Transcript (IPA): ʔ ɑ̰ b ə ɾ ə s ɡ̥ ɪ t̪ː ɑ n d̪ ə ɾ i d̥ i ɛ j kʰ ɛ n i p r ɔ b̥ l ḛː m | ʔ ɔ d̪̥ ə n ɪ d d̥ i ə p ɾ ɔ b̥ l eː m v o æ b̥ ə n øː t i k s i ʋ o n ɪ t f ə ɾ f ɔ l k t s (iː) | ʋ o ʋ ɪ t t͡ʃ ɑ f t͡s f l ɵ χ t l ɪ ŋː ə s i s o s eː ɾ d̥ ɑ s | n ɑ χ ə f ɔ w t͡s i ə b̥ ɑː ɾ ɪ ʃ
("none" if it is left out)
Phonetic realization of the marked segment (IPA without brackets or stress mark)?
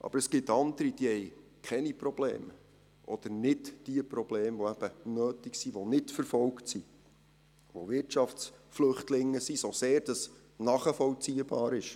i